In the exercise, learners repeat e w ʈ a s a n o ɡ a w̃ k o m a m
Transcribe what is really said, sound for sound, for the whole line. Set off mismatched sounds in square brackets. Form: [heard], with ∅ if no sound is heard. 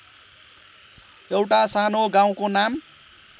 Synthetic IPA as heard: e w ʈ a s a n o ɡ a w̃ k o [n] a m